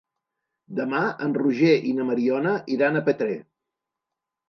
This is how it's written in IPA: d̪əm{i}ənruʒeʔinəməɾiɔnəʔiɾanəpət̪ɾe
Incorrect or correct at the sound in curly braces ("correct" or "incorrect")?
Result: incorrect